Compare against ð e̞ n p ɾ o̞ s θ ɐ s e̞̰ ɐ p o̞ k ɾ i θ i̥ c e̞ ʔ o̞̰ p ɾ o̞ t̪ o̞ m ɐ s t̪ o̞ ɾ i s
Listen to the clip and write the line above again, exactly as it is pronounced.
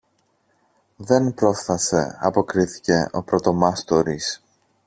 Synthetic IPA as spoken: ð e̞ n p ɾ o̞ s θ ɐ s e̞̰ ɐ p o̞ k ɾ i θ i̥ c e̞ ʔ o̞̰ p ɾ o̞ t̪ o̞ m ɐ s t̪ o̞ ɾ i s